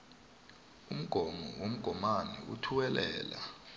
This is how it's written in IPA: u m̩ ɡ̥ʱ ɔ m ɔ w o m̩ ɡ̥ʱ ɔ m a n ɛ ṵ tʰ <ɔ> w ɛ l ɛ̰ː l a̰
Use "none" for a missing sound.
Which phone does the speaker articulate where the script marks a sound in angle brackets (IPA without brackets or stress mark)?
u